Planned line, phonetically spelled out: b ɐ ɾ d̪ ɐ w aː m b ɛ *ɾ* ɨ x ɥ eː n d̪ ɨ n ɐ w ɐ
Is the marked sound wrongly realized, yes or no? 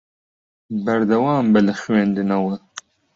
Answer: yes